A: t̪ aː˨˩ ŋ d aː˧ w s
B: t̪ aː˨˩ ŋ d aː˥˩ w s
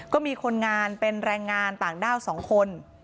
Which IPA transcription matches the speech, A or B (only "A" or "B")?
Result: B